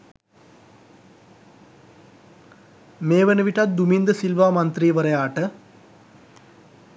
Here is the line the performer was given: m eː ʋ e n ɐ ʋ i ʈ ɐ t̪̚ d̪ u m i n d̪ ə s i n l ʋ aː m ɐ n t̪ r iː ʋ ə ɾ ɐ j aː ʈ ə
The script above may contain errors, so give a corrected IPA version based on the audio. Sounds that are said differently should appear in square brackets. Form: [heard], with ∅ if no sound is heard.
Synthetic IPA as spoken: m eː ʋ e n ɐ ʋ i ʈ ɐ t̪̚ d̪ u m i n d̪ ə s i [∅] l ʋ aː m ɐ n t̪ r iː ʋ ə ɾ ɐ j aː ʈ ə

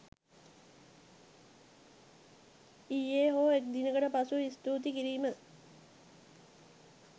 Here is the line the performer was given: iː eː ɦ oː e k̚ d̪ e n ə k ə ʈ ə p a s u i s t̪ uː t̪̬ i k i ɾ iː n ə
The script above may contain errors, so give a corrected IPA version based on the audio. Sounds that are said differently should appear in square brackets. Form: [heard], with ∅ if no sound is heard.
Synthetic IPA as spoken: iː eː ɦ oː e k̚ d̪ [i] n ə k ə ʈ ə p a s u i s t̪ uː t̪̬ i k i ɾ iː [m] ə

